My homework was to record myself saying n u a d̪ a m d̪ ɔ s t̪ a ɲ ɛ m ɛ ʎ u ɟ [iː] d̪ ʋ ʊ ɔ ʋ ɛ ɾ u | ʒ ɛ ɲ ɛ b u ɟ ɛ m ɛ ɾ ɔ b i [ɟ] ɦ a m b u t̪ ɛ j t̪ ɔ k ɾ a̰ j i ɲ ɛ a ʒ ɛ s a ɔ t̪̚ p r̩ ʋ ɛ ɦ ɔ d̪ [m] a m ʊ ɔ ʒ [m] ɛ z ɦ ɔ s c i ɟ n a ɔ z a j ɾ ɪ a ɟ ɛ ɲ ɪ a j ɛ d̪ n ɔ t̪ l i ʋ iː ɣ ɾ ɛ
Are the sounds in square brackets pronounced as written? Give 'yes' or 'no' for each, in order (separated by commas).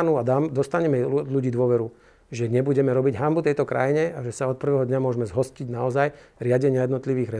yes, yes, no, yes